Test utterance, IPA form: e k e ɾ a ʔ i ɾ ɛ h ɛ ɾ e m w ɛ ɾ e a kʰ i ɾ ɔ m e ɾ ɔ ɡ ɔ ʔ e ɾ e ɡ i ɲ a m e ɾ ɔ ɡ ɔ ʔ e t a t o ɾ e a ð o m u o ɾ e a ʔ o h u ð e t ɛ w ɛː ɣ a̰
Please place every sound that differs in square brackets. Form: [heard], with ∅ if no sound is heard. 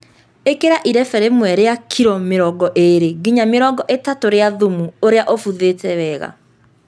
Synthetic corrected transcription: e k e ɾ a ʔ i ɾ ɛ [f] ɛ ɾ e m w ɛ ɾ e a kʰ i ɾ ɔ m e ɾ ɔ ɡ ɔ ʔ e ɾ e ɡ i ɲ a m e ɾ ɔ ɡ ɔ ʔ e t a t o ɾ e a ð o m u o ɾ e a ʔ o [f] u ð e t ɛ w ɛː ɣ a̰